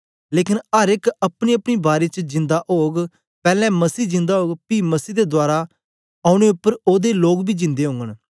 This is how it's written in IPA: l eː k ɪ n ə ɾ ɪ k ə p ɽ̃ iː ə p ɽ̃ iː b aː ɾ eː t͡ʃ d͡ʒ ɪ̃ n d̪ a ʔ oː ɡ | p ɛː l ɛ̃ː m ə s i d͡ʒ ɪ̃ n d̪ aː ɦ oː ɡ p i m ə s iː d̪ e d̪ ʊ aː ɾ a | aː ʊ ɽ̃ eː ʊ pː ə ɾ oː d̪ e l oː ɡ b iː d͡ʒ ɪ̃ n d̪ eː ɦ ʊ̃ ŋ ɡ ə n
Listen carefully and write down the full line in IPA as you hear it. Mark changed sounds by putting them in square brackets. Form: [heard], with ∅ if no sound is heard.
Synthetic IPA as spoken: l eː k ɪ n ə ɾ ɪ k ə p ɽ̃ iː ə p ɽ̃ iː b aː ɾ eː t͡ʃ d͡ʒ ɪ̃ n d̪ a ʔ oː ɡ | p ɛː l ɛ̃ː m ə s [iː] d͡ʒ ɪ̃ n d̪ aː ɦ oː ɡ p i m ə s iː d̪ e d̪ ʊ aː ɾ a | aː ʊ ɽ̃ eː ʊ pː ə ɾ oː d̪ e l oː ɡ b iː d͡ʒ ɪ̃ n d̪ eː ɦ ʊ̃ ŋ ɡ ə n